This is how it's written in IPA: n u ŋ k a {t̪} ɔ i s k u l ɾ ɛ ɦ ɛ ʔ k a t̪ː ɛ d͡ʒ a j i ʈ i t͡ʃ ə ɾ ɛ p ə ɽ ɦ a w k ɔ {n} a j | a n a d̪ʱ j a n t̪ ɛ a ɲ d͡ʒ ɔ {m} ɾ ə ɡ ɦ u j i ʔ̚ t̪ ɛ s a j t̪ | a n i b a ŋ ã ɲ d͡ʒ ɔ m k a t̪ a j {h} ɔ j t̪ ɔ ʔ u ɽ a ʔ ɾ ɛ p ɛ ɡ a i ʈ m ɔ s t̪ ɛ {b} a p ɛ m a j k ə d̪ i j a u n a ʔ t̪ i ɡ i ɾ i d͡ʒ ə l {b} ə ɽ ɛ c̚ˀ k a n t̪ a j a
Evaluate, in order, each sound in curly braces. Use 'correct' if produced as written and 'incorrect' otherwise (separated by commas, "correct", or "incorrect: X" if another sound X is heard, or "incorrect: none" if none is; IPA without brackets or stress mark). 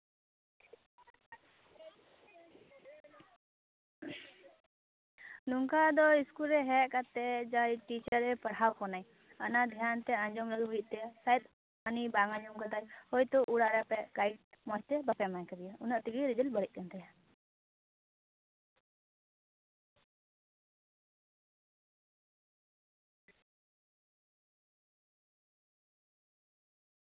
incorrect: d̪, correct, correct, correct, correct, correct